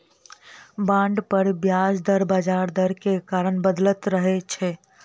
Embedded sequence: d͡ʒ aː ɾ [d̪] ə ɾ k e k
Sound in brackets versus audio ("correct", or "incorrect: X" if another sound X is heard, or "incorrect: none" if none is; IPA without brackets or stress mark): correct